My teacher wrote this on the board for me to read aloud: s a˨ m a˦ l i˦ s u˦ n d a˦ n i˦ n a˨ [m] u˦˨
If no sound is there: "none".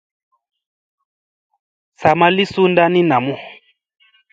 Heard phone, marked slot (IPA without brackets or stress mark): m